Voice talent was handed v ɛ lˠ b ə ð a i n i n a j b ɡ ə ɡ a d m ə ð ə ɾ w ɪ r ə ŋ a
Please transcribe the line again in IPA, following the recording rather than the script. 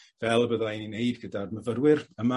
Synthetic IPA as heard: v ɛ lˠ b ə ð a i n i n e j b ɡ ə d a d m ə v ə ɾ w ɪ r ə m a